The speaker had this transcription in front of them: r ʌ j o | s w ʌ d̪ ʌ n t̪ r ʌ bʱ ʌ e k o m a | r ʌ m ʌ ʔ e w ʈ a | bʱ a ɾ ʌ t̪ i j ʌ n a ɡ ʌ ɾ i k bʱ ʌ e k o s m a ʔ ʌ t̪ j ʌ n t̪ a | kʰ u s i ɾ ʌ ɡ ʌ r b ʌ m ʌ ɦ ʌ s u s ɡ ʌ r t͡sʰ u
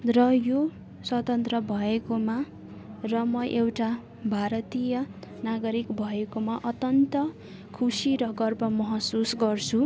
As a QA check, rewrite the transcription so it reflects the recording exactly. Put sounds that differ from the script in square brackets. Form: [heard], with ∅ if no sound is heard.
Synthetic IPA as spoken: r ʌ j o | s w ʌ [t̪] ʌ n t̪ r ʌ bʱ ʌ e k o m a | r ʌ m ʌ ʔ e w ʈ a | bʱ a ɾ ʌ t̪ i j ʌ n a ɡ ʌ ɾ i k bʱ ʌ e k o [∅] m a ʔ ʌ t̪ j ʌ n t̪ [ʌ] | kʰ u s i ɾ ʌ ɡ ʌ r b ʌ m ʌ ɦ ʌ s u s ɡ ʌ r t͡sʰ u

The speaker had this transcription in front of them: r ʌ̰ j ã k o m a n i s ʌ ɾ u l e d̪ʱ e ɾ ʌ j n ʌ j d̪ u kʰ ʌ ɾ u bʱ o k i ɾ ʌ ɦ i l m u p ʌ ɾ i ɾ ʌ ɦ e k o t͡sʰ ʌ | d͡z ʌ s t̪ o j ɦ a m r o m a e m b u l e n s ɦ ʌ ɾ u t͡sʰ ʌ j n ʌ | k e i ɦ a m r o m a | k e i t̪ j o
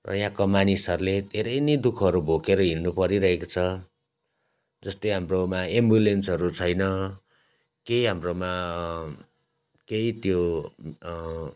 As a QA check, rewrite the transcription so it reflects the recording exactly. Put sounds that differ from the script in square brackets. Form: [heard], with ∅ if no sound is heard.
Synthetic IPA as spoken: r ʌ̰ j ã k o m a n i s ʌ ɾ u l e d̪ʱ e ɾ ʌ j n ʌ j d̪ u kʰ ʌ ɾ u bʱ o k [e] ɾ ʌ ɦ i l [n] u p ʌ ɾ i ɾ ʌ ɦ e k o t͡sʰ ʌ | d͡z ʌ s t̪ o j ɦ a m r o m a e m b u l e n s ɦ ʌ ɾ u t͡sʰ ʌ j n ʌ | k e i ɦ a m r o m a | k e i t̪ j o

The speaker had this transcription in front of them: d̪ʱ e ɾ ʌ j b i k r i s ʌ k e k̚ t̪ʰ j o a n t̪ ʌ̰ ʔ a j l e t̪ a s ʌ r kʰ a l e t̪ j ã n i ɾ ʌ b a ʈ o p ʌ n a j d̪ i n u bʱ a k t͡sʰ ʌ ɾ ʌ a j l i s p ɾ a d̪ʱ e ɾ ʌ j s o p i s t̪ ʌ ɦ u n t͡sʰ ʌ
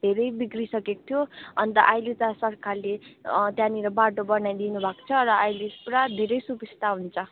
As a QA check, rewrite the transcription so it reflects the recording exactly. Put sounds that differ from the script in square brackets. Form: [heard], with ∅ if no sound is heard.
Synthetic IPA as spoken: d̪ʱ e ɾ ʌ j b i k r i s ʌ k e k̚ t̪ʰ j o [ʌ] n t̪ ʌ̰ ʔ a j l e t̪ a s ʌ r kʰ a l e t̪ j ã n i ɾ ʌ b a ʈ o [b] ʌ n a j d̪ i n u bʱ a k t͡sʰ ʌ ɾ ʌ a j l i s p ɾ a d̪ʱ e ɾ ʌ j s [u] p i s t̪ [a] ɦ u n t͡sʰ ʌ

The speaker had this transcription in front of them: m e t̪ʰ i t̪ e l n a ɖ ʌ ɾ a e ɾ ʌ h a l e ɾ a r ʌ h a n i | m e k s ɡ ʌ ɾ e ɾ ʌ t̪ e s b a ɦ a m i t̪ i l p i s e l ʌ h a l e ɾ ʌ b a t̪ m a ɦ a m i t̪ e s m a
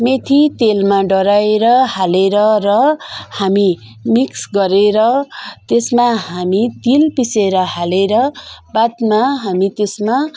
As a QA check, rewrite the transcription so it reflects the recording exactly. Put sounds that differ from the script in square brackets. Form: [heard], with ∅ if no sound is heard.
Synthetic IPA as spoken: m e t̪ʰ i t̪ e l [m] a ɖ ʌ ɾ a e ɾ ʌ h a l e ɾ [ʌ] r ʌ h a [m] i | m [i] k s ɡ ʌ ɾ e ɾ ʌ t̪ e s [m] a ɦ a m i t̪ i l p i s e [ɾ] ʌ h a l e ɾ ʌ b a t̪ m a ɦ a m i t̪ e s m a

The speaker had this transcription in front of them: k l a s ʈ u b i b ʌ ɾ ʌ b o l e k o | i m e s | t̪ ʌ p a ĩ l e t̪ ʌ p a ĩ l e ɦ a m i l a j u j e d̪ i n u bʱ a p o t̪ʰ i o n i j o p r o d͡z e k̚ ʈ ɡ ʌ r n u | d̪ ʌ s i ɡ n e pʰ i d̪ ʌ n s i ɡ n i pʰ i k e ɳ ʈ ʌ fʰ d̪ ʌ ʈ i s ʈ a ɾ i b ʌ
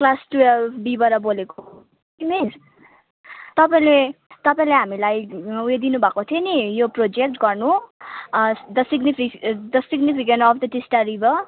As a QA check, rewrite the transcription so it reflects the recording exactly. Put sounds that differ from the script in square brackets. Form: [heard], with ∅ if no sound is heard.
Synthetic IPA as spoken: k l a s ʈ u b i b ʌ ɾ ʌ b o l e k o | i m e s | t̪ ʌ p a ĩ l e t̪ ʌ p a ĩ l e ɦ a m i l a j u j e d̪ i n u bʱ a [k] o t̪ʰ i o n i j o p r o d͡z e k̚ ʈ ɡ ʌ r n u | d̪ ʌ s i ɡ n [i] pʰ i d̪ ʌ [∅] s i ɡ n i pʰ i k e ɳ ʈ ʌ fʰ d̪ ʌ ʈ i s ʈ a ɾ i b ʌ

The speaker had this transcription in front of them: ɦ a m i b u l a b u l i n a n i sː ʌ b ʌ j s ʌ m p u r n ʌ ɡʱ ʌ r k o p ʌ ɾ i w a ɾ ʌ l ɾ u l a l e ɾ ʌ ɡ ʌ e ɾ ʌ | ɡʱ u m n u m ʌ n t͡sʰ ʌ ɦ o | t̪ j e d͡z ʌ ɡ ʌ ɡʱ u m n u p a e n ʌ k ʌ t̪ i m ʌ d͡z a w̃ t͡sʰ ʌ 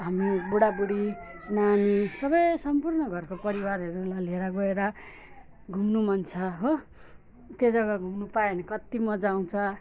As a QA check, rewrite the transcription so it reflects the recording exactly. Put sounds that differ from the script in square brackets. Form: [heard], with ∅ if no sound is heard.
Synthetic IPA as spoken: ɦ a m i b u [ɽ] a b u [ɽ] i n a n i [s] ʌ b ʌ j s ʌ m p u r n ʌ ɡʱ ʌ r k o p ʌ ɾ i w a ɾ ʌ [∅] ɾ u l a l e ɾ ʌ ɡ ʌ e ɾ ʌ | ɡʱ u m n u m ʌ n t͡sʰ ʌ ɦ o | t̪ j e d͡z ʌ ɡ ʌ ɡʱ u m n u p a e n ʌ k ʌ t̪ i m ʌ d͡z a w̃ t͡sʰ ʌ

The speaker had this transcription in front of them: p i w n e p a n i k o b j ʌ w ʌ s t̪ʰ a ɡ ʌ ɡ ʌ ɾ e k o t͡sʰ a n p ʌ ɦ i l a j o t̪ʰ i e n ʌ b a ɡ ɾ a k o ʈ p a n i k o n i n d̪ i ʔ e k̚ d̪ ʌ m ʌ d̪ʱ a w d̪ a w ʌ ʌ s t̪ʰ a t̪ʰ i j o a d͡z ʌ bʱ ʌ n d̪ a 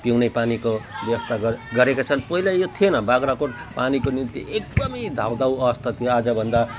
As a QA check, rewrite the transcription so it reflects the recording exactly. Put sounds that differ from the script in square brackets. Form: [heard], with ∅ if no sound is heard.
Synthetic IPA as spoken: p i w n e p a n i k o b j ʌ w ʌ s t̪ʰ a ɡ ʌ ɡ ʌ ɾ e k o t͡sʰ [ʌ] n p ʌ ɦ i l a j o t̪ʰ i e n ʌ b a ɡ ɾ a k o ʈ p a n i k o n i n [t̪] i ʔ e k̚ d̪ ʌ m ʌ d̪ʱ a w d̪ a w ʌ ʌ s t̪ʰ a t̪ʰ i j o a d͡z ʌ bʱ ʌ n d̪ a

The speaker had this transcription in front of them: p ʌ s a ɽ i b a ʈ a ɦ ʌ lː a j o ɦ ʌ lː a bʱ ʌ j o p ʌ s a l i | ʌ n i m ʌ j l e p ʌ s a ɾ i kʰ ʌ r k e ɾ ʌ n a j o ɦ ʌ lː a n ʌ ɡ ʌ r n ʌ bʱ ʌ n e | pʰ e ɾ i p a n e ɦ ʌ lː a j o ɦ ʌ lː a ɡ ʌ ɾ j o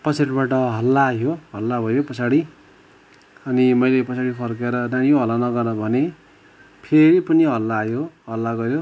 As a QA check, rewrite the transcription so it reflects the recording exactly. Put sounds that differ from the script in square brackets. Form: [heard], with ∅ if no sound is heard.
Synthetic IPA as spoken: p ʌ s a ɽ i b a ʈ [ʌ] ɦ ʌ lː a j o ɦ ʌ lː a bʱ ʌ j o p ʌ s a [ɽ] i | ʌ n i m ʌ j l e p ʌ s a [ɽ] i [pʰ] ʌ r k e ɾ ʌ n a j o ɦ ʌ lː a n ʌ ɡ ʌ r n ʌ bʱ ʌ n e | pʰ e ɾ i p [ʌ] n [i] ɦ ʌ lː a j o ɦ ʌ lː a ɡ ʌ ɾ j o

